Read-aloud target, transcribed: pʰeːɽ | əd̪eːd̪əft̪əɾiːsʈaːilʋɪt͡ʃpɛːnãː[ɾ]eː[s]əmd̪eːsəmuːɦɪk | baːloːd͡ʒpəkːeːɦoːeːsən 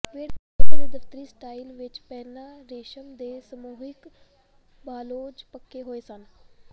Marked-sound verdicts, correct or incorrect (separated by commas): correct, incorrect